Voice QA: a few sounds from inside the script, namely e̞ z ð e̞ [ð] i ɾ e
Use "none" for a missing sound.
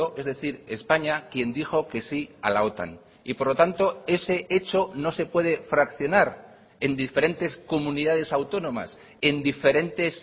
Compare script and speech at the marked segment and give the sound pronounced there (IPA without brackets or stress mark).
θ